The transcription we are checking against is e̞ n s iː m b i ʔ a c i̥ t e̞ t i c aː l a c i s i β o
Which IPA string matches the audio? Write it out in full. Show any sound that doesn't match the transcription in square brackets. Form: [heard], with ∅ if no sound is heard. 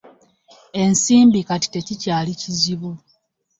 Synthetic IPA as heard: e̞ n s iː m b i [k] a [t] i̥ t e̞ [c] i c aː l [i] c i [z] i β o